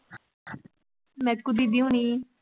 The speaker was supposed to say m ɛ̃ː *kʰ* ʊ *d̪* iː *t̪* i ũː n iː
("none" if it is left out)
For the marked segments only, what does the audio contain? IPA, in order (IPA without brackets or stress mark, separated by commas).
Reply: k, d̪, d̪